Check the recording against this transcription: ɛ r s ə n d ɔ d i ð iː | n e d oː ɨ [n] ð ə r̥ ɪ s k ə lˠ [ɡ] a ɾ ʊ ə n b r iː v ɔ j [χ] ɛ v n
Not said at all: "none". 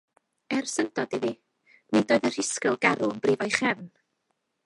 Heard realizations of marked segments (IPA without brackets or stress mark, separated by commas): none, ɡ, χ